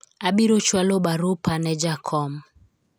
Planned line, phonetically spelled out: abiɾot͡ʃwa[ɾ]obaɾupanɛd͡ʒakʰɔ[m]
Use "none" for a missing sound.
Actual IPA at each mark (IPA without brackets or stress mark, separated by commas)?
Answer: l, m